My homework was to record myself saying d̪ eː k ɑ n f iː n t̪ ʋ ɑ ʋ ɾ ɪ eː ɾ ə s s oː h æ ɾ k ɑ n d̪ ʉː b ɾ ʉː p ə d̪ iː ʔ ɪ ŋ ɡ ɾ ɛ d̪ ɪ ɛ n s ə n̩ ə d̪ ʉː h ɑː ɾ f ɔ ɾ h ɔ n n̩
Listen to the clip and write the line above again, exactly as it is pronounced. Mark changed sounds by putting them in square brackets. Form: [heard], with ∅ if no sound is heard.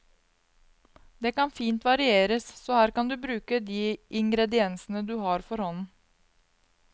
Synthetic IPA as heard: d̪ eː k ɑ n f iː n t̪ ʋ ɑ [∅] ɾ ɪ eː ɾ ə s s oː h [æː] ɾ k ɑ n d̪ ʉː b ɾ ʉː [k] ə d̪ iː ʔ ɪ ŋ ɡ ɾ ɛ d̪ ɪ ɛ n s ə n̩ ə d̪ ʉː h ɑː ɾ f ɔ ɾ h ɔ n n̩